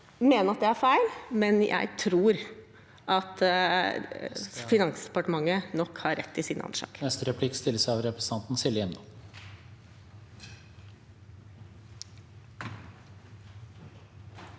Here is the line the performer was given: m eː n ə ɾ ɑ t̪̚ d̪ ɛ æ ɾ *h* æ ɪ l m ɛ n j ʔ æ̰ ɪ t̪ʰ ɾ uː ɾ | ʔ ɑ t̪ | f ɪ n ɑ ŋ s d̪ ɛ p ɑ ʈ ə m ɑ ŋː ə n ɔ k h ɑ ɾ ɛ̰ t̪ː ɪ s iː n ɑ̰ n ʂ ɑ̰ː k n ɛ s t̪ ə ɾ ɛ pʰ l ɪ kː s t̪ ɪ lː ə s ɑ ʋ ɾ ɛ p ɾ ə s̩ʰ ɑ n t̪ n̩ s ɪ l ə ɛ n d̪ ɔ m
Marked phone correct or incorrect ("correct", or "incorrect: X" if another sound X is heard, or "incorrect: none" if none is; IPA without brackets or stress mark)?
incorrect: f